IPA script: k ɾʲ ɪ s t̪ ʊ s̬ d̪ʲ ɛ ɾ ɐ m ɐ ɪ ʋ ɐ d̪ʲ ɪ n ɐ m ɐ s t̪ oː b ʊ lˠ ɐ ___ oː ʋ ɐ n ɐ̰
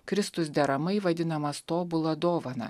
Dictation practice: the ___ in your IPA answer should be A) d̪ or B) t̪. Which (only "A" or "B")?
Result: A